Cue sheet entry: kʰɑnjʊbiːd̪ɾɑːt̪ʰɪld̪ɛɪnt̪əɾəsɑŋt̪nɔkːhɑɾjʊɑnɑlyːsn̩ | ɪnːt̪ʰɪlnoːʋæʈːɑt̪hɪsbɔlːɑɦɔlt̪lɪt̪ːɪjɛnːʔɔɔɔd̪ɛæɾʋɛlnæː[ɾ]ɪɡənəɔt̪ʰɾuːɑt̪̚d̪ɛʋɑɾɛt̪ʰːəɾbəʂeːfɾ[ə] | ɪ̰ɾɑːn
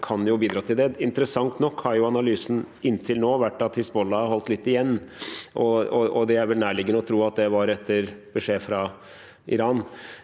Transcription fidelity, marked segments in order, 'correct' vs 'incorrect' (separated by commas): incorrect, incorrect